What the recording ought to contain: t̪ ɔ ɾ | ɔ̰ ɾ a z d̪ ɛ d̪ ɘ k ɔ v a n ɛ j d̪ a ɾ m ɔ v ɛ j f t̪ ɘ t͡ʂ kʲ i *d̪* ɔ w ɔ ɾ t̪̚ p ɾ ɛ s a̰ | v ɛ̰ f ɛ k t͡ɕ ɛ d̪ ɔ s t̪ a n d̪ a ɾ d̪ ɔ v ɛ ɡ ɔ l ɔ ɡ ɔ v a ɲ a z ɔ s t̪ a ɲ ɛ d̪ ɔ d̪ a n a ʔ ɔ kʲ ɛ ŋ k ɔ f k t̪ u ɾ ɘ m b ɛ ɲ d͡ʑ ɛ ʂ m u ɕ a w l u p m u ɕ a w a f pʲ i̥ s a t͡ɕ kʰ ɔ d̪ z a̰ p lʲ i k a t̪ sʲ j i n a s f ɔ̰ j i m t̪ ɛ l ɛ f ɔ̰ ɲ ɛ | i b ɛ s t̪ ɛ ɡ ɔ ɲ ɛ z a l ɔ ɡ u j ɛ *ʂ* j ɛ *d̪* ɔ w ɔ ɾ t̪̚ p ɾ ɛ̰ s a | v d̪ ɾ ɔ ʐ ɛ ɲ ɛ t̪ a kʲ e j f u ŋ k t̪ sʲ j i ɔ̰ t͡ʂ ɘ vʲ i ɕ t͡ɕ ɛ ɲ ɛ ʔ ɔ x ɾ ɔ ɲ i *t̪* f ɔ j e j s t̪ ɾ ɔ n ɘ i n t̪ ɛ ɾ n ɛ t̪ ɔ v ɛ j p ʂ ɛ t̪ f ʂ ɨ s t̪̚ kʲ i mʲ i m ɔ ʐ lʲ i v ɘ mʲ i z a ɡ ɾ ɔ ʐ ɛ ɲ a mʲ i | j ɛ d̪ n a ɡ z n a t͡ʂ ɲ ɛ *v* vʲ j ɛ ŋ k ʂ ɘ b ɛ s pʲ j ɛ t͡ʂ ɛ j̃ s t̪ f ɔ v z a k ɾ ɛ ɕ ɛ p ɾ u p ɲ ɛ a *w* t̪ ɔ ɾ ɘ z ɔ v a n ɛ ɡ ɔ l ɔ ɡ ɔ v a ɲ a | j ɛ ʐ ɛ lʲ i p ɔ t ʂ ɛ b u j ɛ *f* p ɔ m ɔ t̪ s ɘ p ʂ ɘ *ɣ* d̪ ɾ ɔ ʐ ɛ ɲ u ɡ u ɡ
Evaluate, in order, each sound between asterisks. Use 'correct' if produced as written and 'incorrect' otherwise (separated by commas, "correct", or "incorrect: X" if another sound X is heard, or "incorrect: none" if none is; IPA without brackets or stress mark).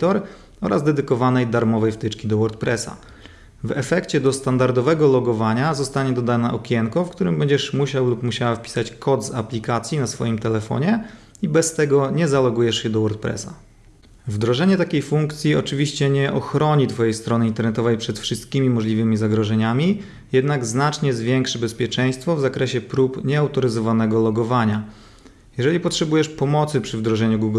correct, correct, correct, correct, incorrect: z, correct, incorrect: ʂ, incorrect: v